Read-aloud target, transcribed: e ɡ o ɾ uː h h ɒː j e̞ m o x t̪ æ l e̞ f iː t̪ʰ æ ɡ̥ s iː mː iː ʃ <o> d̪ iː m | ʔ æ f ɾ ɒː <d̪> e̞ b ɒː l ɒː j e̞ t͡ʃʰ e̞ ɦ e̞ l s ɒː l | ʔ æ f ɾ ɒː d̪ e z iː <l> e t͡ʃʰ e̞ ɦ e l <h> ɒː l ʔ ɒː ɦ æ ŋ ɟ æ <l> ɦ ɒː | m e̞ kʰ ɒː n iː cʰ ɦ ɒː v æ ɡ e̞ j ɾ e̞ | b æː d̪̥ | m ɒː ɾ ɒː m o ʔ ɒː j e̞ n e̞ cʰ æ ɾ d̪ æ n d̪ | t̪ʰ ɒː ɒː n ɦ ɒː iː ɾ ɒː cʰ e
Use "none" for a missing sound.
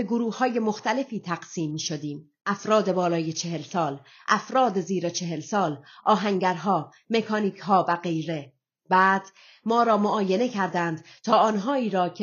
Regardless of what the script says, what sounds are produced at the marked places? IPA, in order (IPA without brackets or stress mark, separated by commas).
o, d̪, ɾ, s, ɾ